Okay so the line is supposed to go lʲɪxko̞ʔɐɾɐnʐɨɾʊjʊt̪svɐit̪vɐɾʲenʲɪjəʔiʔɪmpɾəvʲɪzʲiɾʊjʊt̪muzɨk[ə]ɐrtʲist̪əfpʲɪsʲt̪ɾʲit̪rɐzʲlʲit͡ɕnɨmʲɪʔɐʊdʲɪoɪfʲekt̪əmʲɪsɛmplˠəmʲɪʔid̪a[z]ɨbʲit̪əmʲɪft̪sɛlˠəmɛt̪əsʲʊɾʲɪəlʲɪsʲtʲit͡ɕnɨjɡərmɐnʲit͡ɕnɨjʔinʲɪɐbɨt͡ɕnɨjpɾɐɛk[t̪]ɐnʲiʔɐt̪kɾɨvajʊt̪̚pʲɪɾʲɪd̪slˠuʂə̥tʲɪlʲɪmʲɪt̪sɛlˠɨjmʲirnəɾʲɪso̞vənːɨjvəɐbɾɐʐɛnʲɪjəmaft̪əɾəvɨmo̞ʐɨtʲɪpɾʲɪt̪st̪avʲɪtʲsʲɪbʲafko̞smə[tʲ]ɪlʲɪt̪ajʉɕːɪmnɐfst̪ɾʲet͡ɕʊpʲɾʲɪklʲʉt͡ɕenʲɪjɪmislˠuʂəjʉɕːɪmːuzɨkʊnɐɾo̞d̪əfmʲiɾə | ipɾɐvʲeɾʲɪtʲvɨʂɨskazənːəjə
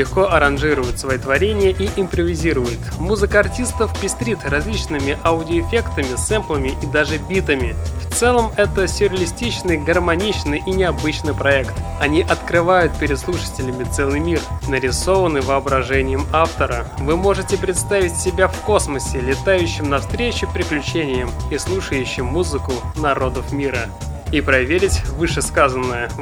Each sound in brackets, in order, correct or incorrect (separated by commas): correct, incorrect, correct, incorrect